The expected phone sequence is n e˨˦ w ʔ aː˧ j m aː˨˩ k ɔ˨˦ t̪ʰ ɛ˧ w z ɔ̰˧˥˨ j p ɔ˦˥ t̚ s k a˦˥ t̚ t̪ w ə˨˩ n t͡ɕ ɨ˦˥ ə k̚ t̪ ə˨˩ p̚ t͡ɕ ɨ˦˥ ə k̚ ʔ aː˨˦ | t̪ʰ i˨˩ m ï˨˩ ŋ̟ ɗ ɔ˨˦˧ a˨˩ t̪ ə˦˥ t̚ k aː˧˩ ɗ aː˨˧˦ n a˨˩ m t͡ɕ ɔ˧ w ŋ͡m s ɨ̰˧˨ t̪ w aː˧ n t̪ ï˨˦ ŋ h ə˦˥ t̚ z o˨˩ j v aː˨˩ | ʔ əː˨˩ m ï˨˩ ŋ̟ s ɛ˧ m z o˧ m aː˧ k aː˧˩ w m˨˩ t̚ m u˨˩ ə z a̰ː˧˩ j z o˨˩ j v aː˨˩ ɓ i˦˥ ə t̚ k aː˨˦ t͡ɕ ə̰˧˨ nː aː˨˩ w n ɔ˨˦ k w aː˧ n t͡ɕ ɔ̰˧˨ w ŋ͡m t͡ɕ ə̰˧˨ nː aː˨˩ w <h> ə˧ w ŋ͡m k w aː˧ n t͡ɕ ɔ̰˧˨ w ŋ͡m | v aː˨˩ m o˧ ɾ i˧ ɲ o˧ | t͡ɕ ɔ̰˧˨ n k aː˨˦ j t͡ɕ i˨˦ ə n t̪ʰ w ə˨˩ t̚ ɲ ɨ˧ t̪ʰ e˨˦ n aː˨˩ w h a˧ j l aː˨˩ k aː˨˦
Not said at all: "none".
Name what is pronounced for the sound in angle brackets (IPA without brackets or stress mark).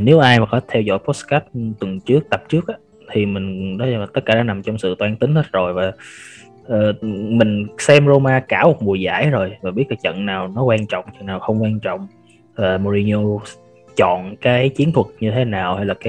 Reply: x